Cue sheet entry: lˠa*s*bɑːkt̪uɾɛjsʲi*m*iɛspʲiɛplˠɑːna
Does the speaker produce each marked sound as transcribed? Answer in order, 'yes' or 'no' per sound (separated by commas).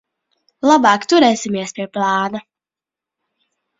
no, yes